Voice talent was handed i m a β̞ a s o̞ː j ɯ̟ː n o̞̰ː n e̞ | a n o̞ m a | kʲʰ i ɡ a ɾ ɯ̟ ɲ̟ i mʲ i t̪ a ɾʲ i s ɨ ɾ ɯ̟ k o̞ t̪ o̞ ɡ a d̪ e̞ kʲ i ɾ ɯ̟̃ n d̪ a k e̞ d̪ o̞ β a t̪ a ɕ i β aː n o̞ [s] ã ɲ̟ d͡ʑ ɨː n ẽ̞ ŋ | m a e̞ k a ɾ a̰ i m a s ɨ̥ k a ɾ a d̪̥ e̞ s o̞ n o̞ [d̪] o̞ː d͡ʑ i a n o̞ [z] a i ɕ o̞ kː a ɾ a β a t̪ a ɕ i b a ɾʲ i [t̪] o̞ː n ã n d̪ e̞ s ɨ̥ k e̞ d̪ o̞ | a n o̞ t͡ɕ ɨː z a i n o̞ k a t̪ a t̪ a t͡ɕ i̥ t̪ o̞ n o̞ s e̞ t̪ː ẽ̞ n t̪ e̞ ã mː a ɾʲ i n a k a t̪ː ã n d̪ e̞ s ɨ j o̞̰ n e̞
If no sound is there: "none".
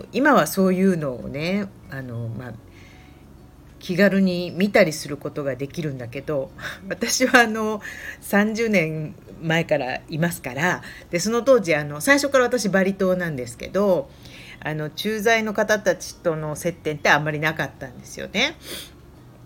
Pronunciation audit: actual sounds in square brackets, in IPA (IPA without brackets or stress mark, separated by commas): s, t̪, s, t̪